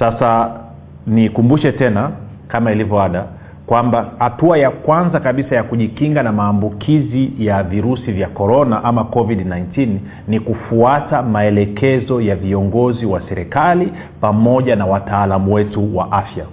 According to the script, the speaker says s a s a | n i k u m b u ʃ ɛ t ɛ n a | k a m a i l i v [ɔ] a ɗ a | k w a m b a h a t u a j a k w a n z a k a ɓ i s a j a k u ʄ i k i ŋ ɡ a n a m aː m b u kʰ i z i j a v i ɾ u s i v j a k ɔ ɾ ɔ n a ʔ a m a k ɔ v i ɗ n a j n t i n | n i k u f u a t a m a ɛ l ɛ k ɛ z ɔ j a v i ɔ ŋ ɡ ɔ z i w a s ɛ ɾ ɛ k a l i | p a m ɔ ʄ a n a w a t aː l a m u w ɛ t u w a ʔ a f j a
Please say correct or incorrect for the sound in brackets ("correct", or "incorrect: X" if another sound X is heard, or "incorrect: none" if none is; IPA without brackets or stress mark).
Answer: correct